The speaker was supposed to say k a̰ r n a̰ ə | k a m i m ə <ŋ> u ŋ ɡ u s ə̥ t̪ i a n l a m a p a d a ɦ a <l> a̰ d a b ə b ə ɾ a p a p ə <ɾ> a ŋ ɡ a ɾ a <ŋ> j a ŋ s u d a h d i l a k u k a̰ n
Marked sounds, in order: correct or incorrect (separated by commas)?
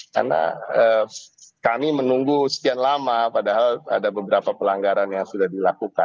incorrect, correct, incorrect, incorrect